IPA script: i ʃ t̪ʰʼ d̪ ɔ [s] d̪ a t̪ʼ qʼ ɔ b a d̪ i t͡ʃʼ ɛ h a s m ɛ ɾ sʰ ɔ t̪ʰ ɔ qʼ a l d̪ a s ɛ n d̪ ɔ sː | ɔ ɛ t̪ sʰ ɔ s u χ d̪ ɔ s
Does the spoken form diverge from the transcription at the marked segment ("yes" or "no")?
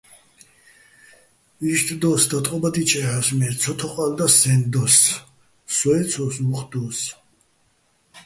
no